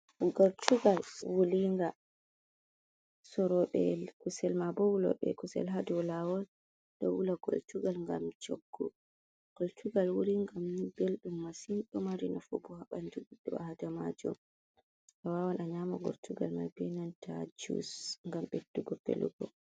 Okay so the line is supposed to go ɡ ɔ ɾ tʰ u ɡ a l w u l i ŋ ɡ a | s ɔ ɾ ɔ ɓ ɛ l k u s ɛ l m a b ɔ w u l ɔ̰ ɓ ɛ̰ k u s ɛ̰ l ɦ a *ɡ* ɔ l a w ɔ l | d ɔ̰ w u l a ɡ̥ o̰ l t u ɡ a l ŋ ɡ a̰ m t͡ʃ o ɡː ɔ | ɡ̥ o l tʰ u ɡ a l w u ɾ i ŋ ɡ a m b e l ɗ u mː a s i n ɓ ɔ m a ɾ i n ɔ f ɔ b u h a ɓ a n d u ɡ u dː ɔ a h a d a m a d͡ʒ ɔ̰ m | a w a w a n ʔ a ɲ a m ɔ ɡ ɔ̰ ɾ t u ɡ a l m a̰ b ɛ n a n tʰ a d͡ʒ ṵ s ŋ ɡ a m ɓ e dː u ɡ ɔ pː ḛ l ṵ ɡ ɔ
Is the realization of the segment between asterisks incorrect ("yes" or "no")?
yes